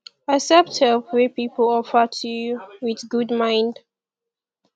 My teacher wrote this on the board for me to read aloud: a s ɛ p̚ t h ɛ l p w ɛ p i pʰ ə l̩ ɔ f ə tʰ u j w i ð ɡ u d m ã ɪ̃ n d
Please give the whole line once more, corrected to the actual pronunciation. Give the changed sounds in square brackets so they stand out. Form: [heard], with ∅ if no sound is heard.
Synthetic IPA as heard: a s ɛ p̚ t h ɛ l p w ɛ p i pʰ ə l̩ ɔ f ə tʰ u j w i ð ɡ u d m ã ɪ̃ n d